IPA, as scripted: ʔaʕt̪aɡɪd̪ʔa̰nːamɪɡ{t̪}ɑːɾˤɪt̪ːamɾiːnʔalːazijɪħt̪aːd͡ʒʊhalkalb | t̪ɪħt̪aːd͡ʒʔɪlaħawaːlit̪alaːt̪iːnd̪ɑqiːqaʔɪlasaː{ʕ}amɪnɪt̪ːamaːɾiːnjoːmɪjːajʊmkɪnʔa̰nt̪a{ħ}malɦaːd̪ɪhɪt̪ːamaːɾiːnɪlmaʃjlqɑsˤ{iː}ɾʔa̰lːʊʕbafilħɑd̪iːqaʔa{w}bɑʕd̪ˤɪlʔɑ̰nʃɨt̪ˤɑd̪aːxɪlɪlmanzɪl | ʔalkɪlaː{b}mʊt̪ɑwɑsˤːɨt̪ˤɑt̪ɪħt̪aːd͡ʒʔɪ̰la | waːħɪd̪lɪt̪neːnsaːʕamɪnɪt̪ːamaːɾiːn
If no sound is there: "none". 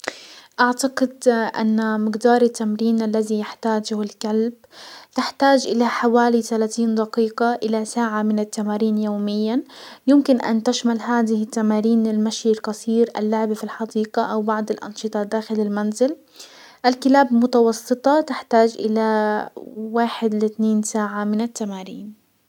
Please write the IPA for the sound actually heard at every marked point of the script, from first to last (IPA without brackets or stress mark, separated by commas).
d̪, ʕ, ʃ, iː, w, b